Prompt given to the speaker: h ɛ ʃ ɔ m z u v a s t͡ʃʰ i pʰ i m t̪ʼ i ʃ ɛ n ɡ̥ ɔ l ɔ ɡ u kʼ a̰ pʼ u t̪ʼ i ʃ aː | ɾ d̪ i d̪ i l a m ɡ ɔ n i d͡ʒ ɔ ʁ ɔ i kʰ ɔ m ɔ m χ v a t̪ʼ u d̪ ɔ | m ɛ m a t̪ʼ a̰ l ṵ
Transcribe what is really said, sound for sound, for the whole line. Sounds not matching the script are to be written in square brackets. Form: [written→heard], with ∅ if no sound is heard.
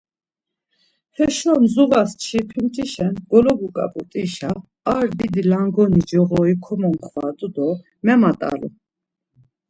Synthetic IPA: h ɛ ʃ ɔ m z u v a s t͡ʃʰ i pʰ i m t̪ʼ i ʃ ɛ n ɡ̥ ɔ l ɔ ɡ u kʼ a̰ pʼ u t̪ʼ i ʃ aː | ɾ d̪ i d̪ i l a [m→ŋ] ɡ ɔ n i d͡ʒ ɔ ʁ ɔ i kʰ ɔ m ɔ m χ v a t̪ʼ u d̪ ɔ | m ɛ m a t̪ʼ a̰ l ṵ